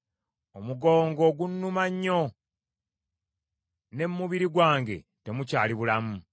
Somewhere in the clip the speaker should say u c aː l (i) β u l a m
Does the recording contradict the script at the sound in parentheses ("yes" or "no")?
no